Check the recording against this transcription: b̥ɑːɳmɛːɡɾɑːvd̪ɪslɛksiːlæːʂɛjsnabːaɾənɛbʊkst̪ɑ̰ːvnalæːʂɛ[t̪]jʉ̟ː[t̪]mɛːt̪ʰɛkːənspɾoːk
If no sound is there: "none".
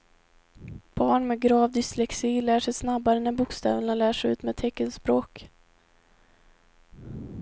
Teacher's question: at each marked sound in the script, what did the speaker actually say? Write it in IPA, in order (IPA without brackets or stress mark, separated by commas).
none, t̪